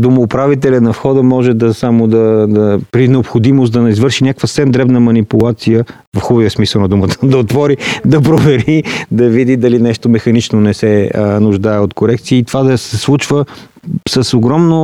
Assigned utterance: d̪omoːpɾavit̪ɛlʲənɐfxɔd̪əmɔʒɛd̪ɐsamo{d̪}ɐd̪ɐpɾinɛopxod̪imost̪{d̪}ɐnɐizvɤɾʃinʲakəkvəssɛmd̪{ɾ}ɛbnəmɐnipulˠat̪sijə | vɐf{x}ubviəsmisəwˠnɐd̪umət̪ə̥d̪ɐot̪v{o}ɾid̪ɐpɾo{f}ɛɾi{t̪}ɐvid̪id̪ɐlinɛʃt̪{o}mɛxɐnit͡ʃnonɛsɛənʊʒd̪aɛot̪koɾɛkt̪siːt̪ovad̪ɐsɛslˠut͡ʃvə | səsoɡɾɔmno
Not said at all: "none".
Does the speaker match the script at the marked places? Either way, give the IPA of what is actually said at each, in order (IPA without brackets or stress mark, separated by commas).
d̪, d̪, ɾ, x, ɔ, v, d̪, o